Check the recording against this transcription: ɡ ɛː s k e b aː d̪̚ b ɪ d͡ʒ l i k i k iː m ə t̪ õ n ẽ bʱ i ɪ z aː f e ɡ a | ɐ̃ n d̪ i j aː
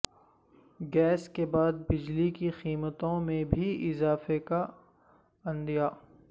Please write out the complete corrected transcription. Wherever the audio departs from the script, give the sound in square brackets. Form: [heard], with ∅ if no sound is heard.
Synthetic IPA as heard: ɡ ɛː s k e b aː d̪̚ b ɪ d͡ʒ l i k i [x] iː m ə t̪ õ [m] ẽ bʱ i ɪ z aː f e [k] a | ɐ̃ n d̪ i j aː

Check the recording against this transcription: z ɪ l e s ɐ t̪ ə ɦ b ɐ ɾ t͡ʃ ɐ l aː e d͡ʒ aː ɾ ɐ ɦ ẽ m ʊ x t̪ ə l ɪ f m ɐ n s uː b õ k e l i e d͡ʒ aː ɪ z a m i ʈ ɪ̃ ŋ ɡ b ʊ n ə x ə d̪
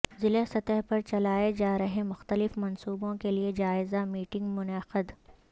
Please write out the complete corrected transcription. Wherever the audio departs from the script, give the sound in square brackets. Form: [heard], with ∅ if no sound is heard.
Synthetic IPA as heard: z ɪ l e s ɐ t̪ ə ɦ [p] ɐ ɾ t͡ʃ ɐ l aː e d͡ʒ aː ɾ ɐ ɦ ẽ m ʊ x t̪ ə l ɪ f m ɐ n s uː b õ k e l i e d͡ʒ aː ɪ z a m [iː] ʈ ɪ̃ ŋ ɡ [m] ʊ n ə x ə d̪

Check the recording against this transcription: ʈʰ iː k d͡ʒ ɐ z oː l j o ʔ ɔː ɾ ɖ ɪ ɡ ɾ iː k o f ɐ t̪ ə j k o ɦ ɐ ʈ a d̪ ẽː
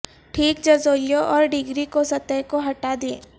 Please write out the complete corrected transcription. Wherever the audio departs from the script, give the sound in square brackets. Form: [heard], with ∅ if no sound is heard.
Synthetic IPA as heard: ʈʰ iː k d͡ʒ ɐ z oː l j o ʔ ɔː ɾ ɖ ɪ ɡ ɾ [i] k o [s] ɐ t̪ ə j k o ɦ ɐ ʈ a d̪ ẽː

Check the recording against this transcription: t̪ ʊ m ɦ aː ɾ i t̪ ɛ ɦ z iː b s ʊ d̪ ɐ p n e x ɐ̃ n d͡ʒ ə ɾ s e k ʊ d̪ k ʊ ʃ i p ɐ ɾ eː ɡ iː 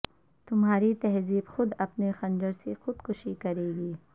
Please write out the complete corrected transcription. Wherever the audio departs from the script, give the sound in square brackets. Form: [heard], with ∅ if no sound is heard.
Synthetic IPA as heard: t̪ ʊ m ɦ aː ɾ i t̪ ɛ ɦ z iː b [x] ʊ d̪ ɐ p n e x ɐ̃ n d͡ʒ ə ɾ s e [x] ʊ d̪ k ʊ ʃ i [k] ɐ ɾ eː ɡ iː

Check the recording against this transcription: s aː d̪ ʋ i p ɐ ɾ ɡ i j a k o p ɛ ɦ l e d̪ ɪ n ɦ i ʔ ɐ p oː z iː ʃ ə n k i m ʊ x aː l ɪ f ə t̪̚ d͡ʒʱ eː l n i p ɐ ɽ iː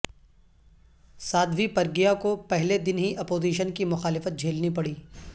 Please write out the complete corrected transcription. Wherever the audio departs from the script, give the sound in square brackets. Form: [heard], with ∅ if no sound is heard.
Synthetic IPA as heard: s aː d̪ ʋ i p ɐ ɾ ɡ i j a k o p ɛ ɦ l e d̪ ɪ n ɦ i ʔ ɐ p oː z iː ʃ ə n k i m ʊ x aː l ɪ f ə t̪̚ d͡ʒʱ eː l n i p ɐ ɽ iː

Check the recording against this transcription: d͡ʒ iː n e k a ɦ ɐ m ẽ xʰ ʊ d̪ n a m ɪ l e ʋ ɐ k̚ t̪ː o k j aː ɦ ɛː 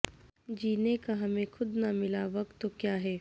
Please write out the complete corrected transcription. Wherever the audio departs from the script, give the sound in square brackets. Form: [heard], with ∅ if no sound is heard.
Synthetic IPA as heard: d͡ʒ iː n e k a ɦ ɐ m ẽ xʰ ʊ d̪ n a m ɪ l [a] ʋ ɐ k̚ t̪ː o k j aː ɦ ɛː

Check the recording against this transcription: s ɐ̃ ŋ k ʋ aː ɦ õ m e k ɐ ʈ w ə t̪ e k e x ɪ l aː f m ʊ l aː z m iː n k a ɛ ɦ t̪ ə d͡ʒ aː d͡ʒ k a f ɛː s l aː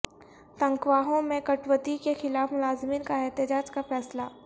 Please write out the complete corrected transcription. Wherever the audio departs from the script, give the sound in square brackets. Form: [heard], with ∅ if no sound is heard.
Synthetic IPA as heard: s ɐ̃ ŋ k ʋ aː ɦ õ m [ẽ] k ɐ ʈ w ə t̪ [i] k e x ɪ l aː f m ʊ l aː z m iː n k a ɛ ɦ t̪ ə d͡ʒ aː d͡ʒ k a f ɛː s l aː

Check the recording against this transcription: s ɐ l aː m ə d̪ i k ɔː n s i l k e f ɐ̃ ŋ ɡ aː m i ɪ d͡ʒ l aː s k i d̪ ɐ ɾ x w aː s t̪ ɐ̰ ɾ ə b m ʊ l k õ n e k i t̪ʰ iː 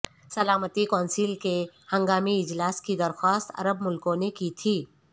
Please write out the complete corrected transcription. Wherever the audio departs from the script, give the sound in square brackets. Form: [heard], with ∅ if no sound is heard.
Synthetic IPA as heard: s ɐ l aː m ə [t̪] i k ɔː n s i l k e [h] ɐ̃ ŋ ɡ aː m i ɪ d͡ʒ l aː s k i d̪ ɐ ɾ x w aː s t̪ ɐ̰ ɾ ə b m ʊ l k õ n e k i t̪ʰ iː

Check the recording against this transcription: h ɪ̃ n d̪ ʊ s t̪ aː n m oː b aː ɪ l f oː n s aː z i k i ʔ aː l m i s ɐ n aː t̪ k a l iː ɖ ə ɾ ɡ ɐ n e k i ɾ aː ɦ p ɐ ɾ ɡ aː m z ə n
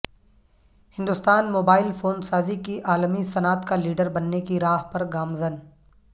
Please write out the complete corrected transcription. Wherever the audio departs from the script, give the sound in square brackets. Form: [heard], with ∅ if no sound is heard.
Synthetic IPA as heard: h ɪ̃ n d̪ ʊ s t̪ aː n m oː b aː ɪ l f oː n s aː z i k i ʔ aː l m i s ɐ n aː t̪ k a l iː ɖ ə ɾ [b] ɐ [nː] e k i ɾ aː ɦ p ɐ ɾ ɡ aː m z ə n

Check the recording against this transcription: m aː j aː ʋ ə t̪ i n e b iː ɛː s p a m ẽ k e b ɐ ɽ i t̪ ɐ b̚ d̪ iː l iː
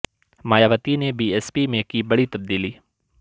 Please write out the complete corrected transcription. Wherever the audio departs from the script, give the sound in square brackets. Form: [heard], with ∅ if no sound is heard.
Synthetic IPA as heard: m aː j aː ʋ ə t̪ i n e b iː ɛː s p [i] m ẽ k [i] b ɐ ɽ i t̪ ɐ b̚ d̪ iː l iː

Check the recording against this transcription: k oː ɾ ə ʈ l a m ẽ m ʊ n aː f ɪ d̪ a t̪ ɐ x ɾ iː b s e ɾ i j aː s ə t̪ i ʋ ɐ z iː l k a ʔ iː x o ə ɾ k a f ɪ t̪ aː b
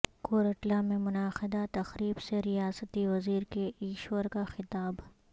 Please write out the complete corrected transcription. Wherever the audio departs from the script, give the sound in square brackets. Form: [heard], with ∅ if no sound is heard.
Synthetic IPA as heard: k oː ɾ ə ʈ l a m ẽ m ʊ n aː [x] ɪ d̪ a t̪ ɐ x ɾ iː b s e ɾ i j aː s ə t̪ i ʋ ɐ z iː [ɾ] k [e] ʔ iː [ʃ] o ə ɾ k a [x] ɪ t̪ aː b

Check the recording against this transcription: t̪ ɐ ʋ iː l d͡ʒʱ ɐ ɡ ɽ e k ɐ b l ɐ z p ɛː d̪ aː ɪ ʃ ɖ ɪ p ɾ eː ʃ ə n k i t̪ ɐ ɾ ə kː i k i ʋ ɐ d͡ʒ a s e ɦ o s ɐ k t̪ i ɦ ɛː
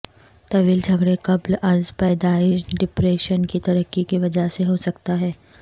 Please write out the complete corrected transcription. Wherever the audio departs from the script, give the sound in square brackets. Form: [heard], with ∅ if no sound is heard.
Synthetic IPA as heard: t̪ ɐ ʋ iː l d͡ʒʱ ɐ ɡ ɽ e k ɐ b l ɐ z p ɛː d̪ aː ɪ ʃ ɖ ɪ p ɾ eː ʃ ə n k i t̪ ɐ ɾ ə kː i k i ʋ ɐ d͡ʒ a s e ɦ o s ɐ k t̪ [a] ɦ ɛː

